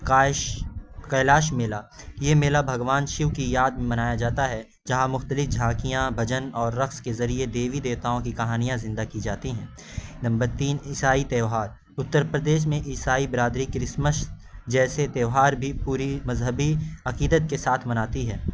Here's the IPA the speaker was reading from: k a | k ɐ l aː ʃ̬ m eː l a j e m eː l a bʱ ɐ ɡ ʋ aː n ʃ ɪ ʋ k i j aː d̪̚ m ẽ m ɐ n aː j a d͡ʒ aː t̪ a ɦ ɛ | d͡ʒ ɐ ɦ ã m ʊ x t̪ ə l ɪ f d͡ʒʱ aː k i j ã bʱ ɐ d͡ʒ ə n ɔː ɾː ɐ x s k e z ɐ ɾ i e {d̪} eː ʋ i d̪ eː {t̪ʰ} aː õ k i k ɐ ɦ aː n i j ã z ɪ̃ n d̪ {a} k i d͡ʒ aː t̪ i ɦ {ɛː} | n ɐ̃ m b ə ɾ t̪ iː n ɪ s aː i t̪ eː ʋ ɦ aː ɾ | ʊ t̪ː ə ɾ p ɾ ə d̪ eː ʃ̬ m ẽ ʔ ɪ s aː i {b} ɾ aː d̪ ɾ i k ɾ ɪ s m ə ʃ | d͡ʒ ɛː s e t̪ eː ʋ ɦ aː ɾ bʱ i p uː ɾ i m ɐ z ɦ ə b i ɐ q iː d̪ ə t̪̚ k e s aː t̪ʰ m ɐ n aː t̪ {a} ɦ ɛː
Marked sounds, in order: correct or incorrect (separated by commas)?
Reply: correct, incorrect, correct, incorrect, correct, incorrect